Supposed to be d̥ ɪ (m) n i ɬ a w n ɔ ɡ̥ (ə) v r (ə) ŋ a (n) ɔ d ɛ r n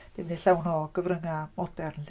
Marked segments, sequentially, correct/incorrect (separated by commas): correct, correct, correct, incorrect